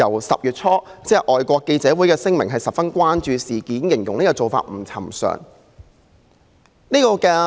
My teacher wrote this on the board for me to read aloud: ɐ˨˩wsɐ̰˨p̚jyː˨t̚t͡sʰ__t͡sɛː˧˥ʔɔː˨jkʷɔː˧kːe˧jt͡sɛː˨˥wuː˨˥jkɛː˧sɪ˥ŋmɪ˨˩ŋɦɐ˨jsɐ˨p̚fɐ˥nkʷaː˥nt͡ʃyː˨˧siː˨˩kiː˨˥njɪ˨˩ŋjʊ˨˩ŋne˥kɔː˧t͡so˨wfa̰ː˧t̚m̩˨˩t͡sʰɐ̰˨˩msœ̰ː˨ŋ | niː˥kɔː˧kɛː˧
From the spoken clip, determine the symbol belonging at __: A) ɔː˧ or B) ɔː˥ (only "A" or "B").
B